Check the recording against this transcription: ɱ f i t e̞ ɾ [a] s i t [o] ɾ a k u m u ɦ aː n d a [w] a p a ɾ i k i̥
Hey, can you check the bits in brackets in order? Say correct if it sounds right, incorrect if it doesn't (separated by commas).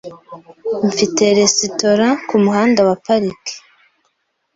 incorrect, correct, correct